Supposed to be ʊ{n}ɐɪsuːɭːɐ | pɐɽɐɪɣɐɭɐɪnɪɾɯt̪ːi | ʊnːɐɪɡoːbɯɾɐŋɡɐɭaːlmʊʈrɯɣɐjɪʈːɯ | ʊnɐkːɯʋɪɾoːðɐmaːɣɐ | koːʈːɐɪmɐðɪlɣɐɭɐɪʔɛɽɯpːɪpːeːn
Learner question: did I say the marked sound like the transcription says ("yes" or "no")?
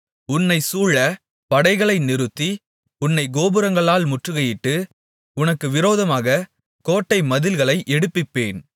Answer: no